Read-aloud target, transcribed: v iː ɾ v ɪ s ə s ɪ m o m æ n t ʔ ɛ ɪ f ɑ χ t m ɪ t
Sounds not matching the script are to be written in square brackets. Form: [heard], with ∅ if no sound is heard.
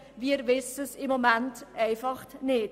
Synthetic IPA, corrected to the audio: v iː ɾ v ɪ s ə s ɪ m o m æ n t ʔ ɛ ɪ f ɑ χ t [n] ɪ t

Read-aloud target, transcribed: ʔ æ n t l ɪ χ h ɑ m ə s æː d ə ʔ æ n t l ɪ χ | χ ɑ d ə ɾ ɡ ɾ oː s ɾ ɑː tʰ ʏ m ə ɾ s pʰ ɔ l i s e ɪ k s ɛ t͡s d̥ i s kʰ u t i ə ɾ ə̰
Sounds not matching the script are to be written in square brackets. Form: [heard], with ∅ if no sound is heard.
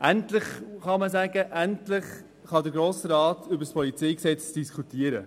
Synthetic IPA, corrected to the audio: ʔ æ n t l ɪ χ [χ] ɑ m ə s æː [ɡ] ə ʔ æ n t l ɪ χ | χ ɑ d ə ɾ ɡ ɾ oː s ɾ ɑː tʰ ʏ [b] ə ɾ s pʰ ɔ l i [t͡s] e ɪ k s ɛ t͡s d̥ i s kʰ u t i ə ɾ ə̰

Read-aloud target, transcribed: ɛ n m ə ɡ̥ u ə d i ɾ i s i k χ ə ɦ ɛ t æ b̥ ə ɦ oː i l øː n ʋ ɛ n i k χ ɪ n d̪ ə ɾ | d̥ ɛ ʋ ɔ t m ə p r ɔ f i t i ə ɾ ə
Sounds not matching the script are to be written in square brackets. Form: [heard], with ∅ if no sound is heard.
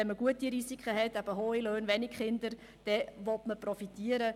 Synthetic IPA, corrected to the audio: ɛ n m ə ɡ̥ u ə [t] i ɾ i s i k χ ə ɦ ɛ t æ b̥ ə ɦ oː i l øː n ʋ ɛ n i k χ ɪ n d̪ ə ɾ | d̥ ɛ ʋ ɔ t m ə p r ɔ f i t i ə ɾ ə

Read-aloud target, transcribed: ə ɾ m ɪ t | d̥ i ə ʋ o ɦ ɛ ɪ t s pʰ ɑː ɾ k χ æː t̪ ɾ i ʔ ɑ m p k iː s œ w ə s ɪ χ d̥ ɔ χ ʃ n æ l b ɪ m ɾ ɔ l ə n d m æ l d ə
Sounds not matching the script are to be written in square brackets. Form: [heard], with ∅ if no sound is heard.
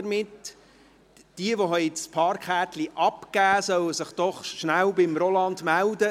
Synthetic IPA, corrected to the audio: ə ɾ m ɪ t | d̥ i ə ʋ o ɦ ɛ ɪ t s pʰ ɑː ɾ k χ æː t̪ [l] i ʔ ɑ [∅] p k [æː] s œ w ə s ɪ χ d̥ ɔ χ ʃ n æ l b ɪ m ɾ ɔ l [ɑ] n d m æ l d ə

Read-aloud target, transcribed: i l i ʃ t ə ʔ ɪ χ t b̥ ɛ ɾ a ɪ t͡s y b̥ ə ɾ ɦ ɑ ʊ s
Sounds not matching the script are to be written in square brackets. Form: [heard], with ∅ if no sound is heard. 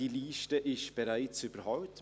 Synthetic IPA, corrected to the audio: i l [iː] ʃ t ə ʔ ɪ [ʃ] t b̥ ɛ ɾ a ɪ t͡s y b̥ ə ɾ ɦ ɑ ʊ [t]

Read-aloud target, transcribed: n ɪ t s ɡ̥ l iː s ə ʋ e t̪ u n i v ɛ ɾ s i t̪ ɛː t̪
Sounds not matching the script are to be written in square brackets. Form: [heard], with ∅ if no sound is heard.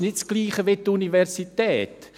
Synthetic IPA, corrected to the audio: n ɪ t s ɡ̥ l iː [χ] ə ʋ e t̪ u n i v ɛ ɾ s i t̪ ɛː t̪

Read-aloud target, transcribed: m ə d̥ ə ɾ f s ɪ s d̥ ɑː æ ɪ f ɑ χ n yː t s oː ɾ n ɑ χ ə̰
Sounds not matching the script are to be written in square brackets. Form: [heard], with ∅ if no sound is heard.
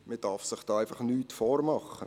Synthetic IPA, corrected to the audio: m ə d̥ [ɑ] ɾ f s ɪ [χ] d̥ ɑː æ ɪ f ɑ χ n yː t [f] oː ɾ [m] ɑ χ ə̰

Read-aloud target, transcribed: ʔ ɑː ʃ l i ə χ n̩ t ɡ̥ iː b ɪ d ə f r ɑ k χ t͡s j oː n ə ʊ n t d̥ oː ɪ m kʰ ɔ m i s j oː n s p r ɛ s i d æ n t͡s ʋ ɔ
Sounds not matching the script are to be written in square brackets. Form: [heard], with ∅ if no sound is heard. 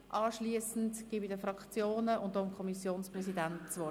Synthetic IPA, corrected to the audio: ʔ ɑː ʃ l i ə [s] n̩ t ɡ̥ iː b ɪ d ə f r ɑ k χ t͡s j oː n ə ʊ n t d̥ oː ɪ m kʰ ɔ m i s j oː n s p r ɛ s i d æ n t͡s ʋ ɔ

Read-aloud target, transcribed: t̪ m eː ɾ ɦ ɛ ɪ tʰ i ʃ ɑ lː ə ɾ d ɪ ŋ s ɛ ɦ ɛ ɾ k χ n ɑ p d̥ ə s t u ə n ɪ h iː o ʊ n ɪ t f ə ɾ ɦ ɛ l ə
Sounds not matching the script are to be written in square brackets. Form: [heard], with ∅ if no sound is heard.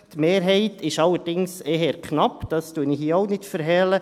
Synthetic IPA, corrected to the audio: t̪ m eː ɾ ɦ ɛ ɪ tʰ [ɪ] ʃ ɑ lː ə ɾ d ɪ ŋ s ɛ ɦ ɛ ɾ k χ n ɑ p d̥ [ɑ] s t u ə n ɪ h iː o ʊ n ɪ t f ə ɾ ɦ ɛ l ə

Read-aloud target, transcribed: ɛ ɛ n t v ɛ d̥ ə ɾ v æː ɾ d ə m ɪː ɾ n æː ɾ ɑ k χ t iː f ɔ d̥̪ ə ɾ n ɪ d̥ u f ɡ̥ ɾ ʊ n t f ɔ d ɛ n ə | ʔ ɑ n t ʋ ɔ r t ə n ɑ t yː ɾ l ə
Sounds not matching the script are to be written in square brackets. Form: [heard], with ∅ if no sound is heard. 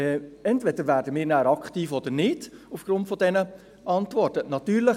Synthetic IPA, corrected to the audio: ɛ ɛ n t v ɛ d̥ ə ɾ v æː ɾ d ə m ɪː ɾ n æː ɾ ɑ k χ t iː f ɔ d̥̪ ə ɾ n ɪ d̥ u f ɡ̥ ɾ ʊ n t f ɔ d ɛ n ə | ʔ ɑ n t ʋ ɔ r t ə n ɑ t yː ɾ l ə

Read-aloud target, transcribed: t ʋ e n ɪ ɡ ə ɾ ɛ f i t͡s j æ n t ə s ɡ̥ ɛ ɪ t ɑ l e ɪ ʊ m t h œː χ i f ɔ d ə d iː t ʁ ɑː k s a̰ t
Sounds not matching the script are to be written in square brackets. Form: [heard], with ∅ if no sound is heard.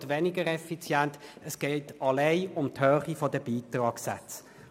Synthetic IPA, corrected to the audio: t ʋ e n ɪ ɡ ə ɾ ɛ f i t͡s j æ n t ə s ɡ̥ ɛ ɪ t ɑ l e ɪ ʊ m t h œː χ i f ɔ d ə [b] iː t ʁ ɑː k s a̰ [t͡s]

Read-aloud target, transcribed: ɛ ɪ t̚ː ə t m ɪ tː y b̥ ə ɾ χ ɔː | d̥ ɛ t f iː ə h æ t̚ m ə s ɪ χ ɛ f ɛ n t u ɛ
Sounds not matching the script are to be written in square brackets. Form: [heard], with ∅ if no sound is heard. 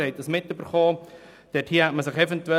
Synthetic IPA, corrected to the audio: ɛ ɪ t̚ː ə [s] m ɪ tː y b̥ ə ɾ χ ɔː | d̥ ɛ t [h] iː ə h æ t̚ m ə s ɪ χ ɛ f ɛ n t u ɛ

